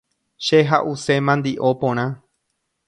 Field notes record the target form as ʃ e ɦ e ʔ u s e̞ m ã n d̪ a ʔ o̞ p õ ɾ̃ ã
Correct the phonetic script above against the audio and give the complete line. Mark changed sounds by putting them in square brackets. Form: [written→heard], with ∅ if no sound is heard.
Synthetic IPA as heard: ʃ e ɦ [e→a] ʔ u s e̞ m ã n d̪ [a→i] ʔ o̞ p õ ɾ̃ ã